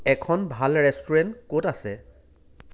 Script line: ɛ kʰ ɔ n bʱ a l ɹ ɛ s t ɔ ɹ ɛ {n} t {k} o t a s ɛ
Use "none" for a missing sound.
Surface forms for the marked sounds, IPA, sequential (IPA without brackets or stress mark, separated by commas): n, k